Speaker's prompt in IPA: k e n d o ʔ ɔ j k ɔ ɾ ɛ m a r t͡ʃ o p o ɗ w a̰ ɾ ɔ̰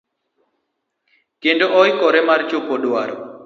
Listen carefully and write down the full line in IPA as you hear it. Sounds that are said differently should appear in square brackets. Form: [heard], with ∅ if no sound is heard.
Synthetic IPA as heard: k e n d o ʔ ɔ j k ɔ ɾ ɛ m a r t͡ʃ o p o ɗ w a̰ ɾ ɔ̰